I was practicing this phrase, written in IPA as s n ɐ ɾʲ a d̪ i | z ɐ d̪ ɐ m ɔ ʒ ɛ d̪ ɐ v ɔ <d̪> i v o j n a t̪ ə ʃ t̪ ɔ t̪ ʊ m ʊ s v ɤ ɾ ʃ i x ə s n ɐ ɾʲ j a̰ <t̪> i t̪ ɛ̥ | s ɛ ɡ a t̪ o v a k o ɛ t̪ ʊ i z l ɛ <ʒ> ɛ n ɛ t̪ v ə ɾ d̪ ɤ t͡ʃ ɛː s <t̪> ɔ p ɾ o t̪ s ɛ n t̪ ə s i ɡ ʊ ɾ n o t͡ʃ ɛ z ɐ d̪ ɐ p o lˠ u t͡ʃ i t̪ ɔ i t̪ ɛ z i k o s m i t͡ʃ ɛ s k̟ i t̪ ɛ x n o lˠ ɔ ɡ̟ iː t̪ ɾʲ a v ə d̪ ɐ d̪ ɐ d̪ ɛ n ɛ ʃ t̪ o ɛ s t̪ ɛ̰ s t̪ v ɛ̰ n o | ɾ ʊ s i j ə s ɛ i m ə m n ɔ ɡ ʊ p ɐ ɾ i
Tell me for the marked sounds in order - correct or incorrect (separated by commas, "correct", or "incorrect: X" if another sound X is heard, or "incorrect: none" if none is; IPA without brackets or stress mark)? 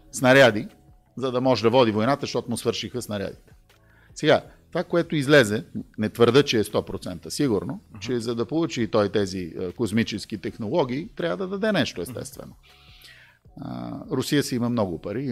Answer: correct, incorrect: d̪, incorrect: z, correct